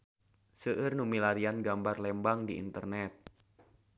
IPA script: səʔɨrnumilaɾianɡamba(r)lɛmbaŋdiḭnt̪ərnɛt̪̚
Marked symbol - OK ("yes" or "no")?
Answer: yes